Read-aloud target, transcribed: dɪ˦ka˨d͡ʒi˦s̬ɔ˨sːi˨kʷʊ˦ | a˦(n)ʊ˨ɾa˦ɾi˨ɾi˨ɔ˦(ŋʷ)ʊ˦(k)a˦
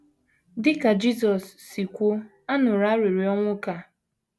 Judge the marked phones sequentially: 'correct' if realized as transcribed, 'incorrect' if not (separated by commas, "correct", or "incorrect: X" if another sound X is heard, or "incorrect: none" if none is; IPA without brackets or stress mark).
correct, correct, correct